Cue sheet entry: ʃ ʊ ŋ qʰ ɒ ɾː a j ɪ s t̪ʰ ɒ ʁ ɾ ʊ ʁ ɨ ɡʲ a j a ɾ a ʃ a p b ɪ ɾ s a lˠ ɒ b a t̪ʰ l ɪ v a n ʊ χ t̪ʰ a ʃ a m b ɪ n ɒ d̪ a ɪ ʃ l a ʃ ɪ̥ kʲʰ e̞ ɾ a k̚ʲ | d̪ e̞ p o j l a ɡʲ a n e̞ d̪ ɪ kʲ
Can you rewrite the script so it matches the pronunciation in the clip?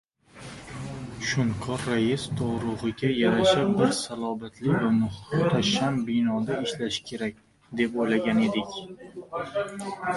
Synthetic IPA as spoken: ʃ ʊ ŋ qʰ ɒ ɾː a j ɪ s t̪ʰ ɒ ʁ ɾ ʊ ʁ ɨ ɡʲ a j a ɾ a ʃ a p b ɪ ɾ s a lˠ ɒ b a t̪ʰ l ɪ v a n ʊ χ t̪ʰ a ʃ a m b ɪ n ɒ d̪ a ɪ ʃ l a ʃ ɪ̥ kʲʰ e̞ ɾ a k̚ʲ | d̪ e̞ p o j l a ɡʲ a n e̞ d̪ ɪ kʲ